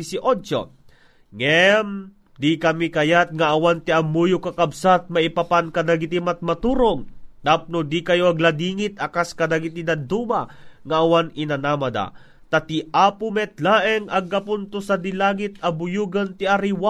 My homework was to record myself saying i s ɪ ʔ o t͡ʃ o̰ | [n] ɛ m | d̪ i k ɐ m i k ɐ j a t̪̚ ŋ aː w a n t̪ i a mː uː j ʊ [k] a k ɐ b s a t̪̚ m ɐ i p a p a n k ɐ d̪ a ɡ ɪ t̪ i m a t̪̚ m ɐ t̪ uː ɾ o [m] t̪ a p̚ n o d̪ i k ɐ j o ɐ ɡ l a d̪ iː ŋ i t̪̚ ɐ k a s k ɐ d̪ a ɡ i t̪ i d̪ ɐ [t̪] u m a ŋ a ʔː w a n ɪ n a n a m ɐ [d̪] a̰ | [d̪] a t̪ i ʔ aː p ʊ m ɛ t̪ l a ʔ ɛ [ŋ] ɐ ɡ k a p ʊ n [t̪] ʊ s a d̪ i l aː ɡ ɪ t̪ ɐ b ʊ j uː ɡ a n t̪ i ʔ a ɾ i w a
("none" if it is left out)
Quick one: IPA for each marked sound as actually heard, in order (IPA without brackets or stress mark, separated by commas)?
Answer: ŋ, k, ŋ, d̪, d̪, t̪, ŋ, t̪